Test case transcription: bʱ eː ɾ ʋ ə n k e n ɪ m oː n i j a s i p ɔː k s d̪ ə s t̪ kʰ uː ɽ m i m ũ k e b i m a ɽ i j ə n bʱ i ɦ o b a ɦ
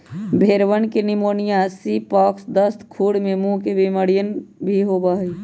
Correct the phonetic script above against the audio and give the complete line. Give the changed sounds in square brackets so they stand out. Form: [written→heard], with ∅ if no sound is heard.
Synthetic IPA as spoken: bʱ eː ɾ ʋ ə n k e n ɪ m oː n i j a s i p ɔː k s d̪ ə s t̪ kʰ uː ɽ m [i→e] m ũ k e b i m [a→ə] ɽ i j ə n bʱ i ɦ o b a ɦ